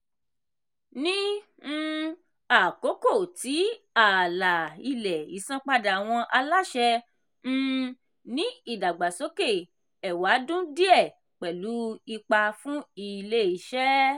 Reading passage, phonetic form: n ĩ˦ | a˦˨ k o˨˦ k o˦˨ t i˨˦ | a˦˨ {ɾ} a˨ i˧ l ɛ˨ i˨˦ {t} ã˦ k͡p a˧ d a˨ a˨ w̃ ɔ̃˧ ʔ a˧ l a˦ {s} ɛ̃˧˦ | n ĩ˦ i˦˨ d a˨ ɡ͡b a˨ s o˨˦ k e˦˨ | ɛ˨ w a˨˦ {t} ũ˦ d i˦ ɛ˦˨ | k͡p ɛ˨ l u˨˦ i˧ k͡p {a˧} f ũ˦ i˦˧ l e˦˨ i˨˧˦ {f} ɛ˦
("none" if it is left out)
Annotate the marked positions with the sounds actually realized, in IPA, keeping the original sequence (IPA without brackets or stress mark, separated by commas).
l, s, ʃ, d, a˧, ʃ